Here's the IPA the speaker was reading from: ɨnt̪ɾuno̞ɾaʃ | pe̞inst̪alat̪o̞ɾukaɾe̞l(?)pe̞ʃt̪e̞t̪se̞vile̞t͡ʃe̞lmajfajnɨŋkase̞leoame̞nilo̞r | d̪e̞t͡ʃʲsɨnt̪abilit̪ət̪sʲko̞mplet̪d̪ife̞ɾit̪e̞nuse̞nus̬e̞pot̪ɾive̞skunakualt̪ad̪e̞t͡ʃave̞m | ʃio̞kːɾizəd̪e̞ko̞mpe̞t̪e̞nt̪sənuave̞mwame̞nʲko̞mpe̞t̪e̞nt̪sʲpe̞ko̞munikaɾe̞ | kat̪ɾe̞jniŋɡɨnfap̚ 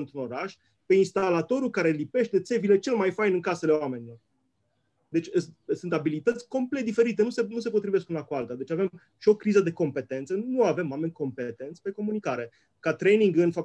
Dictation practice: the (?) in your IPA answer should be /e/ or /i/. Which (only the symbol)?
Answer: i